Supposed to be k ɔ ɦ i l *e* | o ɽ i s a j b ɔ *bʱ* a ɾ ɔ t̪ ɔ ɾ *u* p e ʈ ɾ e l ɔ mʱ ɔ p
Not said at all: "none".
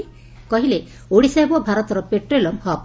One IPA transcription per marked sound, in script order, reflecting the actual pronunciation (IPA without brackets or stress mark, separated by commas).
e, bʱ, ɔ